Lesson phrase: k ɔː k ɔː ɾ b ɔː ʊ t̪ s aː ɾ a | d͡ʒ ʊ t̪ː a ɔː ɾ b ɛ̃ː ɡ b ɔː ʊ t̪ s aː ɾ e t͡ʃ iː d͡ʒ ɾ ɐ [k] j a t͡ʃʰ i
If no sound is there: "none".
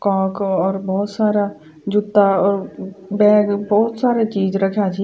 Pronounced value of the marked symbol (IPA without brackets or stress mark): kʰ